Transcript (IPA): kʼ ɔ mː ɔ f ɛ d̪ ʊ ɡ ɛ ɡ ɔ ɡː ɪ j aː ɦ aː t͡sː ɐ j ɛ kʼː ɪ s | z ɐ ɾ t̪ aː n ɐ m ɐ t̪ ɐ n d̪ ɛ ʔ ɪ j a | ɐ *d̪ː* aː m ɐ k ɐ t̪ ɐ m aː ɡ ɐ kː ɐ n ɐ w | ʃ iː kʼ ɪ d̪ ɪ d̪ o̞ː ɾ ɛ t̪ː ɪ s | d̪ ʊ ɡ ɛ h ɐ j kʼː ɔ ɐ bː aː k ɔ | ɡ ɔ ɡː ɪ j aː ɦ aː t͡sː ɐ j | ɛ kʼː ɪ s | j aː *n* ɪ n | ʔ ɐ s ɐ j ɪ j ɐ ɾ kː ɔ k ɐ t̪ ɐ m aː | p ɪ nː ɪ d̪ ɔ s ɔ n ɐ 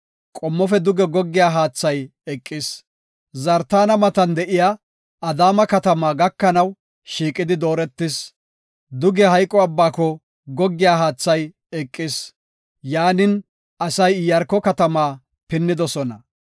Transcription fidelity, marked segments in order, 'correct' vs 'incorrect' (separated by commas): incorrect, correct